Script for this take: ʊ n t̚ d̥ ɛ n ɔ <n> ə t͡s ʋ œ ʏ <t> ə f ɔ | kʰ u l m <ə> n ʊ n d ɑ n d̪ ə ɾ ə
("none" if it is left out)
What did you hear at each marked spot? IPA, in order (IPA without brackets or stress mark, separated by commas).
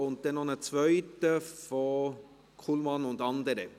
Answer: n, t, ɑ